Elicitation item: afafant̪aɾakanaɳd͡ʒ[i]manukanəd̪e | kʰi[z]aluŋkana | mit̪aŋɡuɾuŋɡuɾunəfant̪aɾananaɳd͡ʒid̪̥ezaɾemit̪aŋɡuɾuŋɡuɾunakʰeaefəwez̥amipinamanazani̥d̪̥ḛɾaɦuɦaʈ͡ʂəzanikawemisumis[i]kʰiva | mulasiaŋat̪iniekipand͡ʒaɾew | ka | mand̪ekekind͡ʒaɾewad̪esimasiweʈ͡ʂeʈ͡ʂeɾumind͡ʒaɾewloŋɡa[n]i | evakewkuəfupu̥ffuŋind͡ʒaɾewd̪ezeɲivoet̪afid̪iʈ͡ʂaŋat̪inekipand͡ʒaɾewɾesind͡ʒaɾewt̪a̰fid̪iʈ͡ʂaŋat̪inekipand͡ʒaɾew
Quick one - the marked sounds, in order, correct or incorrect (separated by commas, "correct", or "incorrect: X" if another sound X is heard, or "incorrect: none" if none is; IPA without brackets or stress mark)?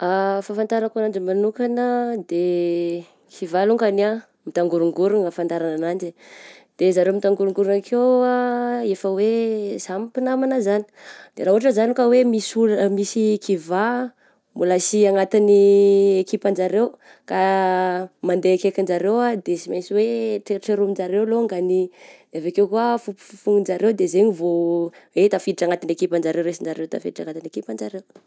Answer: correct, incorrect: v, correct, correct